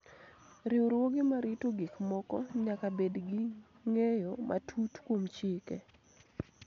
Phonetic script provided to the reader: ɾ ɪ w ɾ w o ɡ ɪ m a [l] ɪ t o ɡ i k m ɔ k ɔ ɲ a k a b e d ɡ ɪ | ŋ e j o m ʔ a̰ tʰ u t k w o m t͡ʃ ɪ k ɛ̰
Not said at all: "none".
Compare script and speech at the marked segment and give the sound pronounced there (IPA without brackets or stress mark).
ɾ